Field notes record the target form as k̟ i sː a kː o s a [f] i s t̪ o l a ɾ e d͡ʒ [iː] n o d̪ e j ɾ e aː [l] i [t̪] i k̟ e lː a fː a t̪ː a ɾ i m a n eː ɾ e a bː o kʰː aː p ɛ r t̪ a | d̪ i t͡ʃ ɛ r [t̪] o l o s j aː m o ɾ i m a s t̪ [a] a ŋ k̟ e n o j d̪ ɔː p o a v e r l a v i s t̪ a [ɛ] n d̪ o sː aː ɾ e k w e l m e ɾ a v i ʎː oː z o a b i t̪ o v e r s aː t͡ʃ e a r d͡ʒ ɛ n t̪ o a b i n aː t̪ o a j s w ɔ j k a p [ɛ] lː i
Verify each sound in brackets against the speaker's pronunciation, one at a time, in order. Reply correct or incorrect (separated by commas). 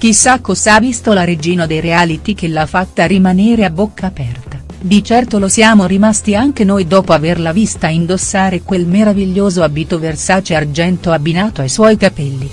incorrect, correct, correct, correct, correct, incorrect, incorrect, correct